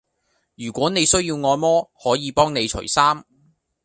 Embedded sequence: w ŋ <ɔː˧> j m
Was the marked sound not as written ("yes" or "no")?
no